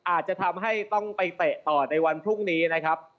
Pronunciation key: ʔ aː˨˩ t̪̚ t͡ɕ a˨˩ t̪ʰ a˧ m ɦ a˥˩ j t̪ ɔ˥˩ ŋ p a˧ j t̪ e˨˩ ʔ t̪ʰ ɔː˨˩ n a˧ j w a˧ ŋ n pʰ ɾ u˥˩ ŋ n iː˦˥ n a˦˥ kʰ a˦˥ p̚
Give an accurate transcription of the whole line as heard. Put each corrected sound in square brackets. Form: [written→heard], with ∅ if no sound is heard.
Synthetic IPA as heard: ʔ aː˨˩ t̪̚ t͡ɕ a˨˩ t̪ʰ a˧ m ɦ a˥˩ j t̪ ɔ˥˩ ŋ p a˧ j t̪ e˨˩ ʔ [t̪ʰ→t̪] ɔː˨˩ n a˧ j w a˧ [ŋ→∅] n pʰ ɾ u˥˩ ŋ n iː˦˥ n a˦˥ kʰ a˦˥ p̚